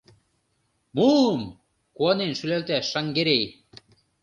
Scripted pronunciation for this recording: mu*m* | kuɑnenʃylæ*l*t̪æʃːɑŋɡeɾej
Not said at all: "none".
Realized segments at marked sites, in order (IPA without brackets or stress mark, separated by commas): m, l